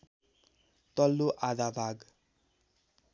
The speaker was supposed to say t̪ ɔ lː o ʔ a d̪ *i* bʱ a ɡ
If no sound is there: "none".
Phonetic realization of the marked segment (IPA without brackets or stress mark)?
a